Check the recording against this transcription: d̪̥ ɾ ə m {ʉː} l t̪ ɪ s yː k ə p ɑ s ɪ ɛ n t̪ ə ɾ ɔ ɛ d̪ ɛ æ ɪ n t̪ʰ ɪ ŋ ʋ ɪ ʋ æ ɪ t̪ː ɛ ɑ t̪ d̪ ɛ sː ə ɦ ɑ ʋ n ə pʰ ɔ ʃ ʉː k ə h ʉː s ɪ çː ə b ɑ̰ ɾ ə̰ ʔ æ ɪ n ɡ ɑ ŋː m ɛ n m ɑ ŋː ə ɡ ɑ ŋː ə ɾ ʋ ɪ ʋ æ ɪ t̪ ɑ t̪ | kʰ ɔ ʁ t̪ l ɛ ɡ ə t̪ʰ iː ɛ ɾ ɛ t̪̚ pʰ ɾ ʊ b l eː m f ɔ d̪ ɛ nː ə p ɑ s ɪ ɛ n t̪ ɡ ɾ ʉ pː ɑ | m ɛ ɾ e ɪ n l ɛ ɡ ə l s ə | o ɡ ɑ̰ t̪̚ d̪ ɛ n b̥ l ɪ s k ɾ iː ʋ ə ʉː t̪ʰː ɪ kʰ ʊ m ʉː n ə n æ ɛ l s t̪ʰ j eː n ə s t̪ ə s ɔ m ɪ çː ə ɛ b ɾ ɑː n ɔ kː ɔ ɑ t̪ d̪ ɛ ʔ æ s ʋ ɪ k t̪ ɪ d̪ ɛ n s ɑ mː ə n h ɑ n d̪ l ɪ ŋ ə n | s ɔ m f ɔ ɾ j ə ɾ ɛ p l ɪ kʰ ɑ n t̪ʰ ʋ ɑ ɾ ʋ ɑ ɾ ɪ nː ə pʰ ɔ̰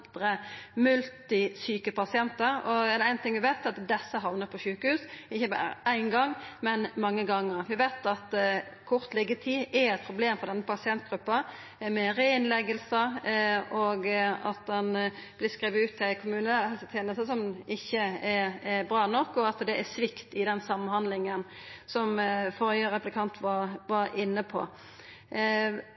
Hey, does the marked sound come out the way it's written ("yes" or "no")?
no